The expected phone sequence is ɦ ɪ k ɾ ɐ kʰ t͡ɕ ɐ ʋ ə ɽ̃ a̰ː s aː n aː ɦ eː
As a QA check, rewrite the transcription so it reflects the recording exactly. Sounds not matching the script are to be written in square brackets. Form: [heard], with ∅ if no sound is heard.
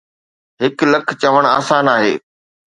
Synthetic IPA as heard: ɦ ɪ k [l] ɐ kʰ t͡ɕ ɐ ʋ ə ɽ̃ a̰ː s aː n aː ɦ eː